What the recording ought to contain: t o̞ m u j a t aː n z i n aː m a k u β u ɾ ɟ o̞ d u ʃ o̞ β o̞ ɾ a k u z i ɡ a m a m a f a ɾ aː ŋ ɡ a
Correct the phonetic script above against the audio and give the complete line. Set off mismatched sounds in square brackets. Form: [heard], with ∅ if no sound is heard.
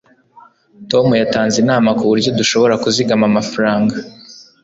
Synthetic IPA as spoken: t o̞ m u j a t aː n z i n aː m a k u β u ɾ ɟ o̞ d u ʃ o̞ β o̞ ɾ a k u z i ɡ a m a m a f a ɾ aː ŋ ɡ a

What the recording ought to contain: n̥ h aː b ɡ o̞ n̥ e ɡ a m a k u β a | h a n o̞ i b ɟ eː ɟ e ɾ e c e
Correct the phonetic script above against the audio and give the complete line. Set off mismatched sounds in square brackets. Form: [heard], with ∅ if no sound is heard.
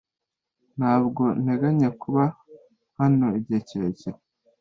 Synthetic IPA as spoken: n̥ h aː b ɡ o̞ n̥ e ɡ a [ɲ] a k u β a | h a n o̞ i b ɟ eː [c] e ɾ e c e

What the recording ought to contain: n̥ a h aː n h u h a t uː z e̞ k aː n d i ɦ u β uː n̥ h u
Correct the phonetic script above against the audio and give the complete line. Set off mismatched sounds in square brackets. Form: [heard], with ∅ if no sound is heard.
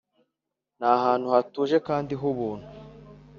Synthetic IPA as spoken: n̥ a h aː n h u h a t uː [ʒ] e̞ k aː n d i ɦ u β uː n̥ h u

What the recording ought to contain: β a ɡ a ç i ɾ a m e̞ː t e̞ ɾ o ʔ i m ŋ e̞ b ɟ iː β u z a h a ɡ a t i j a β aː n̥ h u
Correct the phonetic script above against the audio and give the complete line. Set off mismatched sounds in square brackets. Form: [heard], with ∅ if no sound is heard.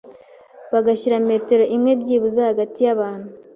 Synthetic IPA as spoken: β a ɡ a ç i ɾ a m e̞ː t e̞ ɾ o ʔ i m ŋ e̞ b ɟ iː β u z a h a ɡ a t i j a β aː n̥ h u

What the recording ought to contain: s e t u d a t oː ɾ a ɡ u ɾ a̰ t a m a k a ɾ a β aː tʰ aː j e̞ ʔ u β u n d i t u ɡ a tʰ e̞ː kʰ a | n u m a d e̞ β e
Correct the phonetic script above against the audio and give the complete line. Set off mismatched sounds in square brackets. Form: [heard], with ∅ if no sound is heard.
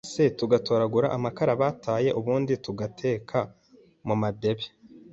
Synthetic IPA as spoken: s e t u [ɡ] a t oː ɾ a ɡ u ɾ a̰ [ʔ] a m a k a ɾ a β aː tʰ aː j e̞ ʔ u β [uː] n d i t u ɡ a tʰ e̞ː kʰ a | [m] u m a d e̞ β e

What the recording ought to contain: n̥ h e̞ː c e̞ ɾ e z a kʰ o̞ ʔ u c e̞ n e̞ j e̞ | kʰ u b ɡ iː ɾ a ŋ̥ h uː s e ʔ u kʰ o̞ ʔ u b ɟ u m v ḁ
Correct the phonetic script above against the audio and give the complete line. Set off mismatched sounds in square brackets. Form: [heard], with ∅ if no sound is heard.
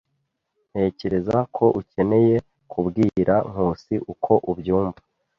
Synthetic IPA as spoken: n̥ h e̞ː c e̞ ɾ e z a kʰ o̞ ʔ u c e̞ n e̞ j e̞ | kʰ u b ɡ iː ɾ a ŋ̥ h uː s [i] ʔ u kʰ o̞ ʔ u b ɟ [uː] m v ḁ

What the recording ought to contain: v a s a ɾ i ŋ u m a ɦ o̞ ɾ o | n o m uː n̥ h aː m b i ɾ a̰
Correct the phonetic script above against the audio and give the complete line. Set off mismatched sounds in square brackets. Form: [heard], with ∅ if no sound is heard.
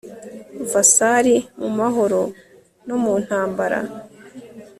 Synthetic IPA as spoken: v a s a ɾ i [m] u m a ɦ o̞ ɾ o | n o m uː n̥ h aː m b [a] ɾ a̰

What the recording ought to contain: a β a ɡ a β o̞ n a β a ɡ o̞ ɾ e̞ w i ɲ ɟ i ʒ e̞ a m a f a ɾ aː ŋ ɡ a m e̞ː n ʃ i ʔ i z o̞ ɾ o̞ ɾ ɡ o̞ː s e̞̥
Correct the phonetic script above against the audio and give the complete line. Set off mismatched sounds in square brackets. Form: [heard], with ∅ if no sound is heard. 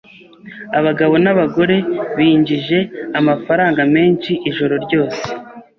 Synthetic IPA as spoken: a β a ɡ a β o̞ n a β a ɡ o̞ ɾ e̞ [β] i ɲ ɟ i ʒ e̞ a m a f a ɾ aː ŋ ɡ a m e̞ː n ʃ i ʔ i [ʒ] o̞ ɾ o̞ ɾ [ɟ] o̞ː s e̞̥

